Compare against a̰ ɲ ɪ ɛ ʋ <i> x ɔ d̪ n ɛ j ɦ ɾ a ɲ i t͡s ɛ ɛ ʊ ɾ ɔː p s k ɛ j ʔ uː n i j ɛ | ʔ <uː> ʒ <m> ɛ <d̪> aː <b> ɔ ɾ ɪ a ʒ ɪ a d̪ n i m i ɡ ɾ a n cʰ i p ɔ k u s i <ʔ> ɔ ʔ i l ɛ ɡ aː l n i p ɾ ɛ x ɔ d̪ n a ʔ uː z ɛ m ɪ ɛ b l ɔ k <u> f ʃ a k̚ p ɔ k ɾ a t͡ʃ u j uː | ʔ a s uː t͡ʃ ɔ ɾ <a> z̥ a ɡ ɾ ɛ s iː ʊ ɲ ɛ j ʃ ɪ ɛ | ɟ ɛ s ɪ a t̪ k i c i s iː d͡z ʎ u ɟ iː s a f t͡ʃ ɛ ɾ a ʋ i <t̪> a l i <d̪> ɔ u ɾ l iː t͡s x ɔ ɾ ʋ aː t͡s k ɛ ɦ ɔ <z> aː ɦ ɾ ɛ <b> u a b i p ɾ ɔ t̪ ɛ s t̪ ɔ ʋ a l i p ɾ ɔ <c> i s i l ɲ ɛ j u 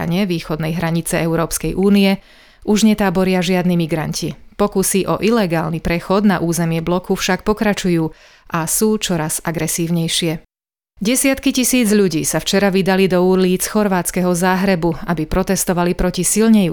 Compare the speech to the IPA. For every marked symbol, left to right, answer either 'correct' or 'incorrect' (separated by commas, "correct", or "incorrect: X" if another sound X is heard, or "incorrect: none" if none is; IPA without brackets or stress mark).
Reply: incorrect: iː, incorrect: u, incorrect: ɲ, incorrect: t̪, correct, correct, correct, correct, incorrect: d̪, correct, correct, correct, correct